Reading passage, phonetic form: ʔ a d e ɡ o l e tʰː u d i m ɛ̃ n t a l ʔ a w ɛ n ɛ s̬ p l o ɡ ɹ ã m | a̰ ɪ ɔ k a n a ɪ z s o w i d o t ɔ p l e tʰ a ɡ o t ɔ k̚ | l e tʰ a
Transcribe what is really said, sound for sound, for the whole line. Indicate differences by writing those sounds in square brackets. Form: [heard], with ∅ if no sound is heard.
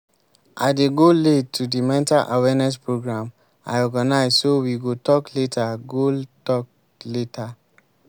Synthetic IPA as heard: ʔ a d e ɡ o l e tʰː u d i m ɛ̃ n t a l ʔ a w ɛ n ɛ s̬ p [ɹ] o ɡ ɹ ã m | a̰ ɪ ɔ [ɡ] a n a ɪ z s o w i [ɡ] o t ɔ [k] l e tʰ a ɡ o t ɔ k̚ | l e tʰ a